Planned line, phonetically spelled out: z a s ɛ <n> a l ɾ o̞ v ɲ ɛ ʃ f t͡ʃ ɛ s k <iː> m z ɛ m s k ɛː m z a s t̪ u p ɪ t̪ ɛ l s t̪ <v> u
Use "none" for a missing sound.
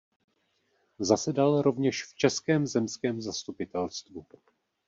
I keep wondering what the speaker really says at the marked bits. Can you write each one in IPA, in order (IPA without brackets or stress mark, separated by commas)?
d, ɛː, v